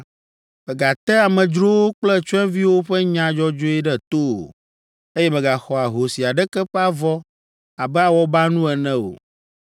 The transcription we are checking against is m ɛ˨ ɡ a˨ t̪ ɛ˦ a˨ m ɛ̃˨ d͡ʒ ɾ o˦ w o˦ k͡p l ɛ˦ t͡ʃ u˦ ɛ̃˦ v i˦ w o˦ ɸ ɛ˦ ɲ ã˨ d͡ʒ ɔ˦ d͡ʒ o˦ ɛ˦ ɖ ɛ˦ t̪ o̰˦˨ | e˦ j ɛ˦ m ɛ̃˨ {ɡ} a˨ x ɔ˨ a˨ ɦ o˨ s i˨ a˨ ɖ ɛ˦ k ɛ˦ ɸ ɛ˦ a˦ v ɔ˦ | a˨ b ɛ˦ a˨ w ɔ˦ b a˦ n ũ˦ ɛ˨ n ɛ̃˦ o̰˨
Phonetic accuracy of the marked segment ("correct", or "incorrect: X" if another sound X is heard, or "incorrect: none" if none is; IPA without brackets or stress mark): correct